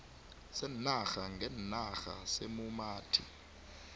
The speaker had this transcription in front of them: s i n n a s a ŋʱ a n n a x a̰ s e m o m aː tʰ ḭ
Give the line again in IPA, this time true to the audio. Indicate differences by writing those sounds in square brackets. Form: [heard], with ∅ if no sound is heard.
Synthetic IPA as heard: s [ɛ] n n a [x] a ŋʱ [ɛ] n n a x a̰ s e m [u] m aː tʰ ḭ